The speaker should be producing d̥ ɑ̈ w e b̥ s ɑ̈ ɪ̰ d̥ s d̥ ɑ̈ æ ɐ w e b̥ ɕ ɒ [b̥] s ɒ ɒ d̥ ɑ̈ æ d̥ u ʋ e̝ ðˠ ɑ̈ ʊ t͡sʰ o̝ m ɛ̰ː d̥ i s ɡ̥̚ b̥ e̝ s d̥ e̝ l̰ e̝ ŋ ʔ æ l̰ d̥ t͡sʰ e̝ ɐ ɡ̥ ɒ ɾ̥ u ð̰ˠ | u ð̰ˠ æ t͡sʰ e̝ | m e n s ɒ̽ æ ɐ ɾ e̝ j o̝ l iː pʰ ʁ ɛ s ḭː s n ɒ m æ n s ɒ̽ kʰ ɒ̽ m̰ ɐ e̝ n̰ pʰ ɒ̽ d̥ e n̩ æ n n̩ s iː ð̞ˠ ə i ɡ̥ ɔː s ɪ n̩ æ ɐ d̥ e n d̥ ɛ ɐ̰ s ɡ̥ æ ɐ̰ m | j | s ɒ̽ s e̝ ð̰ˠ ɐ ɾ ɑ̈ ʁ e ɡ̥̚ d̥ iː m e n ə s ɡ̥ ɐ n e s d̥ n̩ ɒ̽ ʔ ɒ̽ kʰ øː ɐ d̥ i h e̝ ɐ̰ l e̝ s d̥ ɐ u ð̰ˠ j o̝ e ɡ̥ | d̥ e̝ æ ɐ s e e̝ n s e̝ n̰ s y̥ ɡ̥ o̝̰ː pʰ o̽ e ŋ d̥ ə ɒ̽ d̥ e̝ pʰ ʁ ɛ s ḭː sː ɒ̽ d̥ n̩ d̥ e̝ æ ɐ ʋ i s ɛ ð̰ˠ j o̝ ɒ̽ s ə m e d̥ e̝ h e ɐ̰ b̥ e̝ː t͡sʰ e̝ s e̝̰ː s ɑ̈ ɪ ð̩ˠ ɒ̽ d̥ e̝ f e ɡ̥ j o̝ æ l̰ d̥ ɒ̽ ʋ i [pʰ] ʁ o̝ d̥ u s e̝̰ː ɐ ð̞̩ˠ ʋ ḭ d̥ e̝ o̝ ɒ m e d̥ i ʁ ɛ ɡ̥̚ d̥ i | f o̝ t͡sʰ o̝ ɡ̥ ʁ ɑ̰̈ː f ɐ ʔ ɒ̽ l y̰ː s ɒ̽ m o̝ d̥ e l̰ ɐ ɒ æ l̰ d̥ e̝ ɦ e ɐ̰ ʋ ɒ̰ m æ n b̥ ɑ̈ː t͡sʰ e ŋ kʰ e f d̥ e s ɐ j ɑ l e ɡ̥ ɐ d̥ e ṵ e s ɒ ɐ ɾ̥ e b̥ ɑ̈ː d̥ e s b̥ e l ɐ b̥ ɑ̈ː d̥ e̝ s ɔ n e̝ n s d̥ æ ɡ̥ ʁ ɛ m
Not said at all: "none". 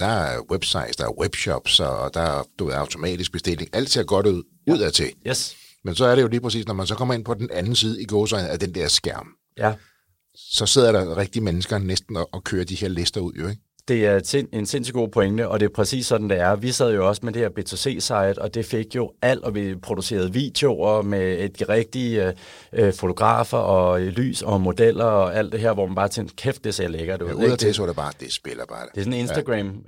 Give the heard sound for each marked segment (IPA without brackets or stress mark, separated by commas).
b̥, pʰ